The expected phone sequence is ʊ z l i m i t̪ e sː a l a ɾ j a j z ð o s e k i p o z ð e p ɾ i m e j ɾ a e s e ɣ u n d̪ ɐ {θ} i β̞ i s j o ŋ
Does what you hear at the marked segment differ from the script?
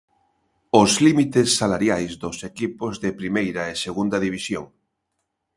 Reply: yes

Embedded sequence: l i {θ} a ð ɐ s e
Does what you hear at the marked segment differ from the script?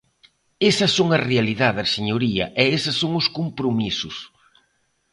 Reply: yes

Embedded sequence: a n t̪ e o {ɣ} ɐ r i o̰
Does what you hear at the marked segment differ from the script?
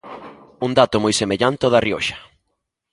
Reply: yes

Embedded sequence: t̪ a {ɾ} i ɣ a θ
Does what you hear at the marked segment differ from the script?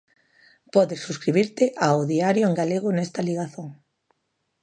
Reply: yes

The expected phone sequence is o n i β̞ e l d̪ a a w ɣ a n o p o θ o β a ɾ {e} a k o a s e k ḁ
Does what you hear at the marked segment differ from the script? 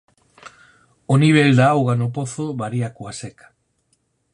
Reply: yes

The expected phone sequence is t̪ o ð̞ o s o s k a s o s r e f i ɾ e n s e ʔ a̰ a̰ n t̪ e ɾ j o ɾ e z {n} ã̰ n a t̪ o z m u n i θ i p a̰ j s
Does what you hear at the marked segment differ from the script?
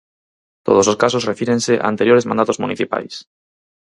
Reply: yes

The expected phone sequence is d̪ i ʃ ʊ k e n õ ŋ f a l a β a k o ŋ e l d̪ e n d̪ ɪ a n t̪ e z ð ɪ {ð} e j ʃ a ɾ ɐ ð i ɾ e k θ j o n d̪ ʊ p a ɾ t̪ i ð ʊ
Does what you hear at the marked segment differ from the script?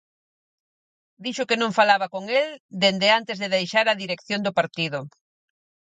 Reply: no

